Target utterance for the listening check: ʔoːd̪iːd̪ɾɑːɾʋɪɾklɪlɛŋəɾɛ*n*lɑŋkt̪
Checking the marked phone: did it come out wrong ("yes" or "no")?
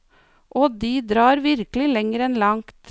no